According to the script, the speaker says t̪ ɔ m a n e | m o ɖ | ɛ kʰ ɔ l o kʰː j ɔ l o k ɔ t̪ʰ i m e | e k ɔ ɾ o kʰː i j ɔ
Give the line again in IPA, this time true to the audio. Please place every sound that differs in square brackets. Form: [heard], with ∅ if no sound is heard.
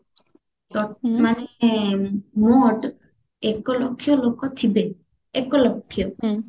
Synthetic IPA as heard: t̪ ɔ m a n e | m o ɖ | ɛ [k] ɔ l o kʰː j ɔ l o k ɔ t̪ʰ i [b] e | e k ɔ [l] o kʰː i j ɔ